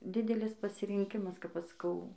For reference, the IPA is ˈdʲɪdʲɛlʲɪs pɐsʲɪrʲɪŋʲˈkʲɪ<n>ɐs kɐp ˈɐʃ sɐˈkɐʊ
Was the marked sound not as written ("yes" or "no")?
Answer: yes